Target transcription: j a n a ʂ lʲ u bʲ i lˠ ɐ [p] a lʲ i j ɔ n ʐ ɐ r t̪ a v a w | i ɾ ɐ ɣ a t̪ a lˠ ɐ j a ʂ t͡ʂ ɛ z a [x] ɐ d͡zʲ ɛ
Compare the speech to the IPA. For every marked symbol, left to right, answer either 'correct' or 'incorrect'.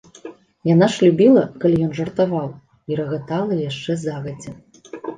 incorrect, incorrect

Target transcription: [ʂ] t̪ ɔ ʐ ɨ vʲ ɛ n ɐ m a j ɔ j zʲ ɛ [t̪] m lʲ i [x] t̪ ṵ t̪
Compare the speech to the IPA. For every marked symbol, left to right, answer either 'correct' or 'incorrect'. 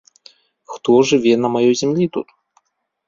incorrect, incorrect, incorrect

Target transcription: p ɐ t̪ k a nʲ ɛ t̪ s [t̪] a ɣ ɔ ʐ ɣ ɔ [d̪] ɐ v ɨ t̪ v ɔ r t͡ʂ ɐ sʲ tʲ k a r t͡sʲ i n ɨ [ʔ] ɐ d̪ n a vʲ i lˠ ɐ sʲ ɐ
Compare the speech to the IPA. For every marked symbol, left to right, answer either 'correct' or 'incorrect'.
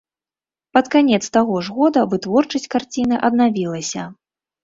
correct, correct, correct

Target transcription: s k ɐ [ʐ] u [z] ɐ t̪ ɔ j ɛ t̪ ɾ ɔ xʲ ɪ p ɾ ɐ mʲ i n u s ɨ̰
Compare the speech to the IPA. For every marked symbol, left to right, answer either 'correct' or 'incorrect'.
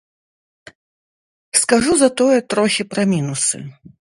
correct, correct

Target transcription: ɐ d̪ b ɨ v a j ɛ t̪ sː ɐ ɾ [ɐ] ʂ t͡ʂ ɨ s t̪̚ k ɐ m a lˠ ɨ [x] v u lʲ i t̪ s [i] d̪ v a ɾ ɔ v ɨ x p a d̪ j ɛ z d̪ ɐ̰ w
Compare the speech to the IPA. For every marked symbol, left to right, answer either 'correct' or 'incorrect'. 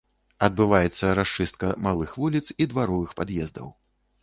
incorrect, correct, correct

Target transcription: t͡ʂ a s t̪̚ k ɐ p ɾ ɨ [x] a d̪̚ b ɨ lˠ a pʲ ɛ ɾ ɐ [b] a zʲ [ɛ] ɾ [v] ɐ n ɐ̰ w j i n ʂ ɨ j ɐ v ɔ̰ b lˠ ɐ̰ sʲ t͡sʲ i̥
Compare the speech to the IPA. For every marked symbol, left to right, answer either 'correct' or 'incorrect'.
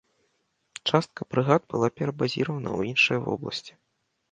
incorrect, correct, incorrect, correct

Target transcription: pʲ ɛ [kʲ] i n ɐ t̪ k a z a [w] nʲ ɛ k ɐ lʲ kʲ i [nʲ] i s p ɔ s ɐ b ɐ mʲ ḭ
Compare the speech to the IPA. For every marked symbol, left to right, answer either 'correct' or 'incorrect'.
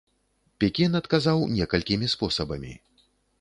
correct, correct, incorrect

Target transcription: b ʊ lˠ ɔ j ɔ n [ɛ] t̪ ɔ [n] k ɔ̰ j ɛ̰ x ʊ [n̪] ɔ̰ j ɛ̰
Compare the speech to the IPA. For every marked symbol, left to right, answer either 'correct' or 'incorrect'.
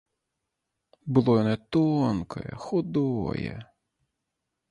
correct, correct, incorrect

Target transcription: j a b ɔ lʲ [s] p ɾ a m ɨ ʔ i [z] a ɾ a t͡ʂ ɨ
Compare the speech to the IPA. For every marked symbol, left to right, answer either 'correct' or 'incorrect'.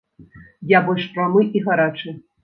incorrect, incorrect

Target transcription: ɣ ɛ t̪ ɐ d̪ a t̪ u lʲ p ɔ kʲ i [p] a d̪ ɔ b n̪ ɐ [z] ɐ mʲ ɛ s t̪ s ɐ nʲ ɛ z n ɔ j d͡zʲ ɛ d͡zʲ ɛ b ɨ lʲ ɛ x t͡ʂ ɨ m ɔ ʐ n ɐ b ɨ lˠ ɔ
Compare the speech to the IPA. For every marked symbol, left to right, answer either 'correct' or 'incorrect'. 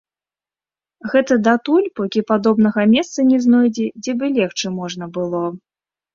correct, incorrect

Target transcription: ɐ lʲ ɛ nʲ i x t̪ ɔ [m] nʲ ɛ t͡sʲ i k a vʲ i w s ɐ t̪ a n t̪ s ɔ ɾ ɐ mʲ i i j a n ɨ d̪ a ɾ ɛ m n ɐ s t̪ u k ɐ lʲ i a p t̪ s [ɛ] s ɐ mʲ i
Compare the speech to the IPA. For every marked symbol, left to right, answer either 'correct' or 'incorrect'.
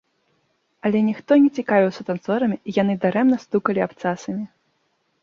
incorrect, incorrect

